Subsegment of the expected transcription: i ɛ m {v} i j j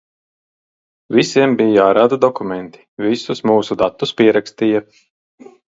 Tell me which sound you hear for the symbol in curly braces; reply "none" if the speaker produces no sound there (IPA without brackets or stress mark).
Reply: b